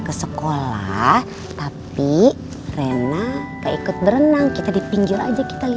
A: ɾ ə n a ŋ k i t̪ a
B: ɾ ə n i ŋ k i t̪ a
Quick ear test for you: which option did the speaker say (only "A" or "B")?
A